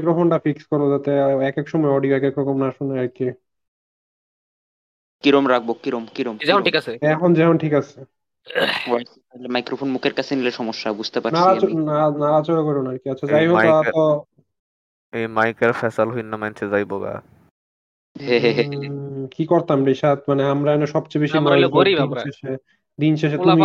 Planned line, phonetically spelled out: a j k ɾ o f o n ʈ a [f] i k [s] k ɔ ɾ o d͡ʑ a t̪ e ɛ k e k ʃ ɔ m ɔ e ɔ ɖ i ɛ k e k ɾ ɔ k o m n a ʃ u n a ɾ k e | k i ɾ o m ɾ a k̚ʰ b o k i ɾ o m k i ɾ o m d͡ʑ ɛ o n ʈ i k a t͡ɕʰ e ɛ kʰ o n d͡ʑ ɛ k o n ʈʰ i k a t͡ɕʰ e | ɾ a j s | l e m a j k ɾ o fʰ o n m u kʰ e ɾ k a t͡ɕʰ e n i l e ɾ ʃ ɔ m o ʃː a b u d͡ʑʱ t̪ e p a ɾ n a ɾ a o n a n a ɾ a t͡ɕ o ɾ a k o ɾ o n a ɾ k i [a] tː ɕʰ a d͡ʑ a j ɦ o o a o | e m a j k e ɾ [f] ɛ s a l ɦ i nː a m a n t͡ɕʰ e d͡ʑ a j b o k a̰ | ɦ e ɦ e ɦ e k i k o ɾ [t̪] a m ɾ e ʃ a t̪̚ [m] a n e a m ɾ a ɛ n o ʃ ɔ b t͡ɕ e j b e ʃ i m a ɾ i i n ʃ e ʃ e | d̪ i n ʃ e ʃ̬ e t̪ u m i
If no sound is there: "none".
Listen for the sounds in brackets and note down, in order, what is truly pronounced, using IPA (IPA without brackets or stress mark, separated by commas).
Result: f, s, a, f, t̪, m